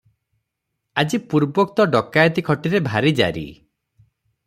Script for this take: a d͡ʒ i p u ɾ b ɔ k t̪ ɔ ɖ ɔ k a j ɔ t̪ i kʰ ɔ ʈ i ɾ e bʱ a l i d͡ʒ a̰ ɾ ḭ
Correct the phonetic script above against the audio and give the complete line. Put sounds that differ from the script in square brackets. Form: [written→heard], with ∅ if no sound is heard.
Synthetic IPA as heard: a d͡ʒ i p u ɾ b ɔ k t̪ ɔ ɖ ɔ k a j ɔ t̪ i kʰ ɔ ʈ i ɾ e bʱ a [l→ɾ] i d͡ʒ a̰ ɾ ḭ